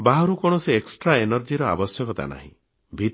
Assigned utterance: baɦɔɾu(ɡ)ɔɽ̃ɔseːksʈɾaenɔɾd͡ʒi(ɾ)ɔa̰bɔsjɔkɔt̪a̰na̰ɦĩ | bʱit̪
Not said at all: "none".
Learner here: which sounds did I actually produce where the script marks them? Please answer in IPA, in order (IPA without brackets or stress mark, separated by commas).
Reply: k, ɾ